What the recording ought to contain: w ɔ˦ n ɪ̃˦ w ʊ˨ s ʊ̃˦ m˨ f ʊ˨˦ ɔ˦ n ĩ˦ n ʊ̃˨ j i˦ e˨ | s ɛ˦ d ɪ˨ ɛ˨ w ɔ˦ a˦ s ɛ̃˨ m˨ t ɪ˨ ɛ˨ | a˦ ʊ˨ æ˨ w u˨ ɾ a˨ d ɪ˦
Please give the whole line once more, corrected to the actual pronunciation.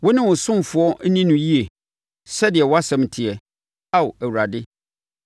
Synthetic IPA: w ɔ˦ n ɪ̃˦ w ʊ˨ s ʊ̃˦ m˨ f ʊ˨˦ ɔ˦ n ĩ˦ n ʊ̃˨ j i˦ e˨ | s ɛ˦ d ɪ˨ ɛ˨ w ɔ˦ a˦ s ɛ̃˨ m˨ tʰ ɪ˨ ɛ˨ | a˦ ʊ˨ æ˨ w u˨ ɾ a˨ d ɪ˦